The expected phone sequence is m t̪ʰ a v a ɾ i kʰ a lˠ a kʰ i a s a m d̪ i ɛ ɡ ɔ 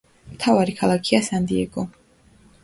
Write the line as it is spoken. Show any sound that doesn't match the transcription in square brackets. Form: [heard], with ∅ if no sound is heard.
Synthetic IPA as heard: m t̪ʰ a v a ɾ i kʰ a lˠ a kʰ i a s a [n] d̪ i ɛ ɡ ɔ

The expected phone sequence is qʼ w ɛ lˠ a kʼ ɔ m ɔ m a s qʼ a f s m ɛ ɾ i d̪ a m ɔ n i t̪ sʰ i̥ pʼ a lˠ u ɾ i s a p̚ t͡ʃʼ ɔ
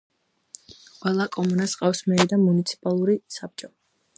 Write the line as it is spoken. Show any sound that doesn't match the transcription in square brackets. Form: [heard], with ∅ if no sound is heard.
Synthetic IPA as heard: qʼ w ɛ lˠ a kʼ ɔ m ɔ [n] a s qʼ a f s m ɛ ɾ i d̪ a m [u] n i t̪ sʰ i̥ pʼ a lˠ u ɾ i s a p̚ t͡ʃʼ ɔ

